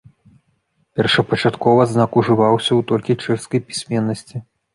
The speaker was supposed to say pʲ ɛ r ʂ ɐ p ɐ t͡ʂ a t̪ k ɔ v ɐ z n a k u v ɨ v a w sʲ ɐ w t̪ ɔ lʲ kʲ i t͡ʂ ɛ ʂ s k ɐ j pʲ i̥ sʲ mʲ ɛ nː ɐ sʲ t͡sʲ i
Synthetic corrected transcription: pʲ ɛ r ʂ ɐ p ɐ t͡ʂ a t̪ k ɔ v ɐ z n a k u ʐ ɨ v a w sʲ ɐ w t̪ ɔ lʲ kʲ i t͡ʂ ɛ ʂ s k ɐ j pʲ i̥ sʲ mʲ ɛ nː ɐ sʲ t͡sʲ i